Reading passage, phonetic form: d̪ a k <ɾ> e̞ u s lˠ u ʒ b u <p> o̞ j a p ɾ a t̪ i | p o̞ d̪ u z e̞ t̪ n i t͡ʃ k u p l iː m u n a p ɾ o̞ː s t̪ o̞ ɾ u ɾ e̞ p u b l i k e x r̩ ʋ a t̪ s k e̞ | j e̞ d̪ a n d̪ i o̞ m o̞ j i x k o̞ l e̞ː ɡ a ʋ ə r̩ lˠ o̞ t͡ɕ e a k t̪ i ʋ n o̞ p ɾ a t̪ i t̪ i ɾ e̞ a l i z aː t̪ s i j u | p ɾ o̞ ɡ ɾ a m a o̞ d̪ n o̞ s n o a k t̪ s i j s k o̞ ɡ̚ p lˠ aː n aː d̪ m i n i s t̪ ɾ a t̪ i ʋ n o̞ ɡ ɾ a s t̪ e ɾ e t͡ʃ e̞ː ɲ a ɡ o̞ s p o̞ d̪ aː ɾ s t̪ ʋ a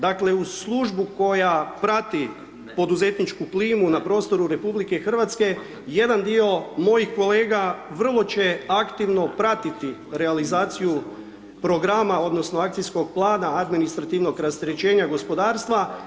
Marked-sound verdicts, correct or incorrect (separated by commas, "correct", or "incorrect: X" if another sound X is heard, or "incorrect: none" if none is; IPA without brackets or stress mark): incorrect: l, incorrect: k